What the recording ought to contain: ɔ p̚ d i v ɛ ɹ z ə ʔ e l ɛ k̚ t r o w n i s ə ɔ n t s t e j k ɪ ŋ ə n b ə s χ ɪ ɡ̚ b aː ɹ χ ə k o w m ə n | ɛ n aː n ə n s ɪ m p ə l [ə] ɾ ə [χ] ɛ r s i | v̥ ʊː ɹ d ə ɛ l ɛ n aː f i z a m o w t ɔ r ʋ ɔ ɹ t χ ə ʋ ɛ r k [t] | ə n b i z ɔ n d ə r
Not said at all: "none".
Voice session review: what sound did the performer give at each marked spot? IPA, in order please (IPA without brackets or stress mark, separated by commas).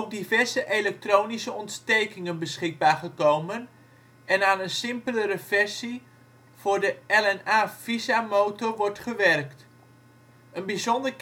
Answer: ə, f, t